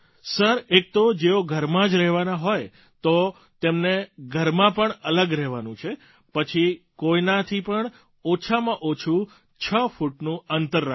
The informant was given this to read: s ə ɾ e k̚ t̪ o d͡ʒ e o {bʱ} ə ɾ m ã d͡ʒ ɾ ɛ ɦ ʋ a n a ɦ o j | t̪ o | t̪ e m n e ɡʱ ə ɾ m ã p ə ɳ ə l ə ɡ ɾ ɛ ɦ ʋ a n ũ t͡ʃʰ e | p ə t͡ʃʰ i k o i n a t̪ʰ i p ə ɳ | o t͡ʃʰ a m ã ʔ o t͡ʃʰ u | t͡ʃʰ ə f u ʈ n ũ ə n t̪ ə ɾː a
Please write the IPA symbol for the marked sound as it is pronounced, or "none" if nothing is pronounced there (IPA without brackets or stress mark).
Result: ɡʱ